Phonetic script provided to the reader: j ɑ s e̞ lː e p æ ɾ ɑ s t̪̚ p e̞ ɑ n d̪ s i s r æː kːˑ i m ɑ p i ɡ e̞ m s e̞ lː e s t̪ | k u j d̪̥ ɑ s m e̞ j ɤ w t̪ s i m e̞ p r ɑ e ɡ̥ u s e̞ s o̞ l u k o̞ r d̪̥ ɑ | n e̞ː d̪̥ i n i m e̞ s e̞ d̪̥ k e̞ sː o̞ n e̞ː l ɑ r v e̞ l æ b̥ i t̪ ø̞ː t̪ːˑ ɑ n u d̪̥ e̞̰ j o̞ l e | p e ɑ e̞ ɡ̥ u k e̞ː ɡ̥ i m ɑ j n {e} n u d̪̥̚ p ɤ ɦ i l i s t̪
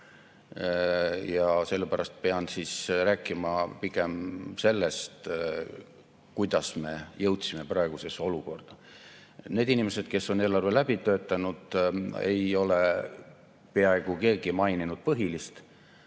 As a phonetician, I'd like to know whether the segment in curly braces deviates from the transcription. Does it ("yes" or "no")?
yes